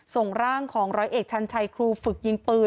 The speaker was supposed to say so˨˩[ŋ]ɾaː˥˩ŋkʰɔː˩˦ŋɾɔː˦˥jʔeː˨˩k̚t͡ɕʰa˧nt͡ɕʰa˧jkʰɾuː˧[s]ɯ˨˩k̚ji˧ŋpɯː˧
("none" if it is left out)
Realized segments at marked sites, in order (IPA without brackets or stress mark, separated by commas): ŋ, f